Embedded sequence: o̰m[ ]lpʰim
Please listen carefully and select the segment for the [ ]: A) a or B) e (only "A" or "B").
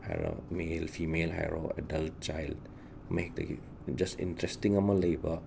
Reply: B